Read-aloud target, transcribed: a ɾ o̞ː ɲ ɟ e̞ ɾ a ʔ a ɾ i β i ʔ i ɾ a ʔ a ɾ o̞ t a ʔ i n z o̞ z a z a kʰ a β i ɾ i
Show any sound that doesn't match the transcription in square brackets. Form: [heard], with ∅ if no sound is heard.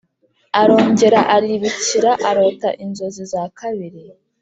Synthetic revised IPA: a ɾ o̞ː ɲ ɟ e̞ ɾ a ʔ a ɾ i β i [c] i ɾ a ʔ a ɾ o̞ t a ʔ i n z o̞ z [i] z a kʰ a β i ɾ i